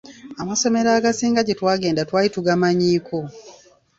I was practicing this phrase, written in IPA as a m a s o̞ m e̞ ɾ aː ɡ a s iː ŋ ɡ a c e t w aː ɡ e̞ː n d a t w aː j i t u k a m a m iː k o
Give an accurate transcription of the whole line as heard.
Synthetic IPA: a m a s o̞ m e̞ ɾ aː ɡ a s iː ŋ ɡ a ɟ e t w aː ɡ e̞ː n d a t w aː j i t u ɡ a m a ɲ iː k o